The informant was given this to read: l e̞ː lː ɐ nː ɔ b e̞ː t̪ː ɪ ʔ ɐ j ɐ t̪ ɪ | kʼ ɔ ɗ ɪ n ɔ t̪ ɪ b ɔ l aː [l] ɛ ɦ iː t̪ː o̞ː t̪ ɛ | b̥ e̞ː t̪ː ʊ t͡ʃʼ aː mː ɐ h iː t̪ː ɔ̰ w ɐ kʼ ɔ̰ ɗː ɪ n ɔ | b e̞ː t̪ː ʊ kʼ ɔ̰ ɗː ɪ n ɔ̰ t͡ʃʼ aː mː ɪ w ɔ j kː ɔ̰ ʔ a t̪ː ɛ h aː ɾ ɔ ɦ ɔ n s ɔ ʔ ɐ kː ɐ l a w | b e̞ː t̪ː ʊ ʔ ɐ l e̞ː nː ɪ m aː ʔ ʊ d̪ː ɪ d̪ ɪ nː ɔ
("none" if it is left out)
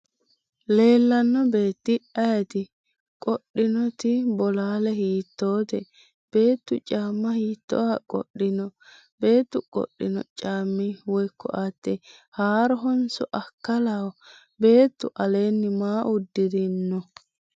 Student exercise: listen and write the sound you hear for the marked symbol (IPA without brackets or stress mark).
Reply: l